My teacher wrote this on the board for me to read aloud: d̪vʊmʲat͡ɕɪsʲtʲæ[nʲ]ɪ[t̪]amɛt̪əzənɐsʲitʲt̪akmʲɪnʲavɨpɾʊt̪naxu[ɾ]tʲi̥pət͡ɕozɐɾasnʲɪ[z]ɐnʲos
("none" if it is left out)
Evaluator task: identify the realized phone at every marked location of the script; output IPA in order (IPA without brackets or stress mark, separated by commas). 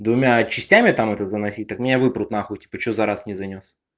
mʲ, t̪, none, z